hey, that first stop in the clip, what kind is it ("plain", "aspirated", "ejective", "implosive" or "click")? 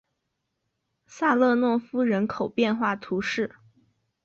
aspirated